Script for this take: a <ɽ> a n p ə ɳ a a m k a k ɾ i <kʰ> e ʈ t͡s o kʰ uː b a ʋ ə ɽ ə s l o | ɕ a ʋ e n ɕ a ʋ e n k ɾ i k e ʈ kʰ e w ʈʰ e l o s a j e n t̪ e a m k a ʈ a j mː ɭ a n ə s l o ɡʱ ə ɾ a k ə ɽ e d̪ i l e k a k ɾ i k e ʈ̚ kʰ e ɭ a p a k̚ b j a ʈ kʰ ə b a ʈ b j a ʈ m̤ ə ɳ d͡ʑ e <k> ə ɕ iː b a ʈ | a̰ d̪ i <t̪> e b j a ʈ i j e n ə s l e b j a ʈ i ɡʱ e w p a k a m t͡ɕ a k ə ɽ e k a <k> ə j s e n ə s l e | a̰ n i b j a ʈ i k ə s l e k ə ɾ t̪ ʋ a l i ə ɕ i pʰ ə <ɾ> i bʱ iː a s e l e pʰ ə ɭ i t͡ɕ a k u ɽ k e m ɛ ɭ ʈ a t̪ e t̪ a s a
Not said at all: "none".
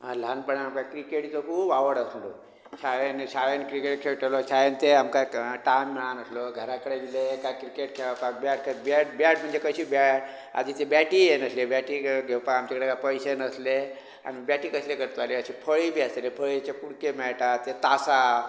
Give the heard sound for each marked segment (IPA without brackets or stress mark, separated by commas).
l, k, k, t̪, p, ɭ